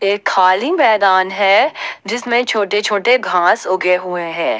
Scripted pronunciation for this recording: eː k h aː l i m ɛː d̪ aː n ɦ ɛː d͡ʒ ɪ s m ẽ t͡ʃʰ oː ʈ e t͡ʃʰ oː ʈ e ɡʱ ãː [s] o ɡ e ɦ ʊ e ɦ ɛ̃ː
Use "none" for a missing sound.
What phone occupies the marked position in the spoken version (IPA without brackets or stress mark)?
s